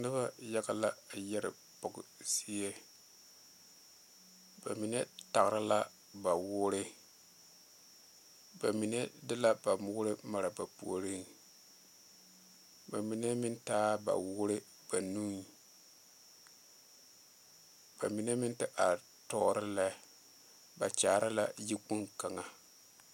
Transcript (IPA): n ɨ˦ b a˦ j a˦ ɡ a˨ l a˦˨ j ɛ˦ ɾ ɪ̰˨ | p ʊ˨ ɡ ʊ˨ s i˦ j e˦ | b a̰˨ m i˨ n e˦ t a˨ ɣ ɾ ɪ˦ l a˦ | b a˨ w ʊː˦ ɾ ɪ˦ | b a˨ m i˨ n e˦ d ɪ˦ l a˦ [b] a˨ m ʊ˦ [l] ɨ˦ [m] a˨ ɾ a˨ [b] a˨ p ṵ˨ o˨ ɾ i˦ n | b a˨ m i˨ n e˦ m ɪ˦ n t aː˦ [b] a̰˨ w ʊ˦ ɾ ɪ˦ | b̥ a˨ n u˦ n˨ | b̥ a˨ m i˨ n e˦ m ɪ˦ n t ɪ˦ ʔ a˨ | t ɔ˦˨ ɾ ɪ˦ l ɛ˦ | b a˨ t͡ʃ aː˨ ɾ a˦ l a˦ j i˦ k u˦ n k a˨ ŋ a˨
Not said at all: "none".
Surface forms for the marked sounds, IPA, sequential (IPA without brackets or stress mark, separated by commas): b, ɾ, m, b, b